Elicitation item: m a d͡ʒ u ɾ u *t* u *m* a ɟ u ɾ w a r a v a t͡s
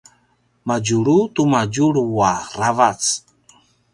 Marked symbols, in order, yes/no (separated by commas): yes, yes